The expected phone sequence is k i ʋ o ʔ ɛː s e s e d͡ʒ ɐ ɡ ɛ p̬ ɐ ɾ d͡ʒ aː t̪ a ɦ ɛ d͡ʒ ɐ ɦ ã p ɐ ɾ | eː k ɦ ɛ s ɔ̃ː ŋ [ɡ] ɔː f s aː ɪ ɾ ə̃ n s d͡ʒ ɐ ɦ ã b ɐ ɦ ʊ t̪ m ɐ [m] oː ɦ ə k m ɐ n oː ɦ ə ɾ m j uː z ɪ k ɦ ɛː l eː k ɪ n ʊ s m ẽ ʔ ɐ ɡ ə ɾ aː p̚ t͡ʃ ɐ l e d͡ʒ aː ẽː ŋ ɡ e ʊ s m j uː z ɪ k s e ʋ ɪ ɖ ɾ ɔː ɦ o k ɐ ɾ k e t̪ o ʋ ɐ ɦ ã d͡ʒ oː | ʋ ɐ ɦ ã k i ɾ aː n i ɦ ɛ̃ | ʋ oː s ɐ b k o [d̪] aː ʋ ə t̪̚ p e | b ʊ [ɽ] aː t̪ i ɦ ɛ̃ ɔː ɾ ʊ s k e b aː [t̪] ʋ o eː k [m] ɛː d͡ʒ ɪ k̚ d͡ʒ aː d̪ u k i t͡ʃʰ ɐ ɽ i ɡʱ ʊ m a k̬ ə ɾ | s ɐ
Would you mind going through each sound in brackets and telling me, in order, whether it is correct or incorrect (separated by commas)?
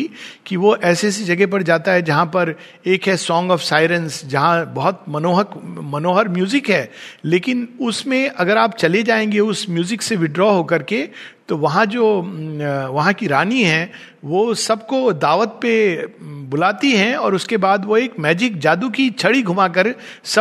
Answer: correct, incorrect, correct, incorrect, incorrect, correct